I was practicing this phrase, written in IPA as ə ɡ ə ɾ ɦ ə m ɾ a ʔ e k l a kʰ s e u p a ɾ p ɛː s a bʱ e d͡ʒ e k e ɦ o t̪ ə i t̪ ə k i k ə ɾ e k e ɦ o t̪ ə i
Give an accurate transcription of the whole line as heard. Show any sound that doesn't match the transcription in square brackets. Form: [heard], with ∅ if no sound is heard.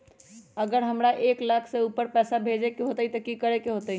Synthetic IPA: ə ɡ ə ɾ ɦ ə m ɾ a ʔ e k l a kʰ s e u p [ə] ɾ p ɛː s a bʱ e d͡ʒ e k e ɦ o t̪ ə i t̪ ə k i k ə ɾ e k e ɦ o t̪ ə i